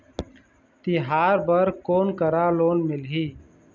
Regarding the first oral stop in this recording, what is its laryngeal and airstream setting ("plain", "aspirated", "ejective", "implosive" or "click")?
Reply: plain